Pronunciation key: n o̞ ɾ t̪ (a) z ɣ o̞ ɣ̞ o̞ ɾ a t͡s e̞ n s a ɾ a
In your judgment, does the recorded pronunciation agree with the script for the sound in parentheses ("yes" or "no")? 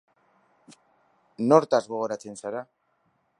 yes